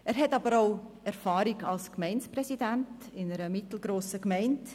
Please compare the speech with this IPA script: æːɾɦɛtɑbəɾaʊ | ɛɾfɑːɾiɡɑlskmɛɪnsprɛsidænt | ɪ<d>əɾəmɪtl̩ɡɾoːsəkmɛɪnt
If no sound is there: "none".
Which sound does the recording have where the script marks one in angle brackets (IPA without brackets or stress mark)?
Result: n